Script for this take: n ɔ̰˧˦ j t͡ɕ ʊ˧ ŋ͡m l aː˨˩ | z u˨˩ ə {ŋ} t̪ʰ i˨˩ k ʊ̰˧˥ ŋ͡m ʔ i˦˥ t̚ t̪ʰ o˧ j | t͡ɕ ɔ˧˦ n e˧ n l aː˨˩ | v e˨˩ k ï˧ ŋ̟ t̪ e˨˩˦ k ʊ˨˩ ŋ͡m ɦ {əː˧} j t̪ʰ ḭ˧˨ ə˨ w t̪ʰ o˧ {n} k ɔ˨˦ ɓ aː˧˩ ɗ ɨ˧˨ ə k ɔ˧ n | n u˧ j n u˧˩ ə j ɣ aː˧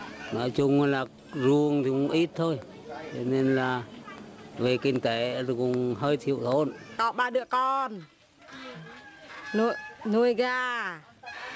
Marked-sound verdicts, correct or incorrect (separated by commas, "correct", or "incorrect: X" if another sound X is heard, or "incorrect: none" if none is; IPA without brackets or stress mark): correct, correct, correct